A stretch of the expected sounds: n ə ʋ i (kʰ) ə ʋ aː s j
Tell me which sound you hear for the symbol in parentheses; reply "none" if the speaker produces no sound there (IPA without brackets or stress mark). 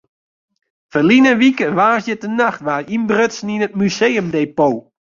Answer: k